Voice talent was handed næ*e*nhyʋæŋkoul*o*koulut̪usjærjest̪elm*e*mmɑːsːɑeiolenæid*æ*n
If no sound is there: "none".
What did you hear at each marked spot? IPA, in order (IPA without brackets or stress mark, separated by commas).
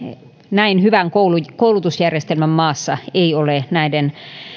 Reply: i, u, æ, e